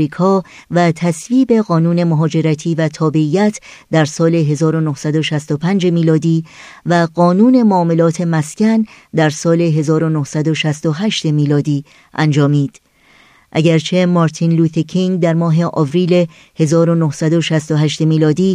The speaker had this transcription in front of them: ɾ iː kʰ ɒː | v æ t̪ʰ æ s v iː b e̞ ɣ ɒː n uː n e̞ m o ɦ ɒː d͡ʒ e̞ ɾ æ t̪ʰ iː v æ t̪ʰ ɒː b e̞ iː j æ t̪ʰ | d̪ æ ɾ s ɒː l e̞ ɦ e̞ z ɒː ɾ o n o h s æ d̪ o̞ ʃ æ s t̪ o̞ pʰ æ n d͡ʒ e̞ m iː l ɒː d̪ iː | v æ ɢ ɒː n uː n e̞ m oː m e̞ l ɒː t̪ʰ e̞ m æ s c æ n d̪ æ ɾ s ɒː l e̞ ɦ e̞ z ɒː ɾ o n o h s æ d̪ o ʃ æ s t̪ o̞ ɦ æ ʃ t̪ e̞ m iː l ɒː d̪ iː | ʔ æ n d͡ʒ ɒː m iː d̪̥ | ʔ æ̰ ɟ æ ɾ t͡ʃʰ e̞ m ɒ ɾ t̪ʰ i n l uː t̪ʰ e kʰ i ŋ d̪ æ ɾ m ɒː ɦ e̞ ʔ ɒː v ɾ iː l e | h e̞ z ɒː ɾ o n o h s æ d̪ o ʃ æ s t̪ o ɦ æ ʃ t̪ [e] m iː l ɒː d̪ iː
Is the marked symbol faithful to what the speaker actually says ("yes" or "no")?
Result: yes